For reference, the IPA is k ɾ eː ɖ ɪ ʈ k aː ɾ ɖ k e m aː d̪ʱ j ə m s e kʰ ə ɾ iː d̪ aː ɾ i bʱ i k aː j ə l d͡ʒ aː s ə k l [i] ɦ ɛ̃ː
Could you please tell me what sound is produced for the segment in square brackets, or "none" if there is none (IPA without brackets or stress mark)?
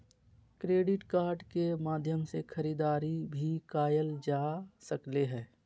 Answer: e